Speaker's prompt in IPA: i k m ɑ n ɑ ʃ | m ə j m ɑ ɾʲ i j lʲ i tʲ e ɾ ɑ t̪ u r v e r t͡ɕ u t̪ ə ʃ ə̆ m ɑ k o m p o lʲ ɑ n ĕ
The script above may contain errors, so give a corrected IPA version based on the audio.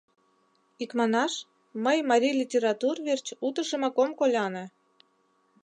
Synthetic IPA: i k m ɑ n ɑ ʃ | m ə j m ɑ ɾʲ i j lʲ i tʲ e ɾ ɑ t̪ u r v e r t͡ɕ u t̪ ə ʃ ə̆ m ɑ k o m k o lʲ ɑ n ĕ